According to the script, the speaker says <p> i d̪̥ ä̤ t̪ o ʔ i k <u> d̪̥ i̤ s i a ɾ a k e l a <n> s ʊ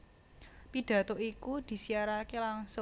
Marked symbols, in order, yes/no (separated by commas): yes, yes, no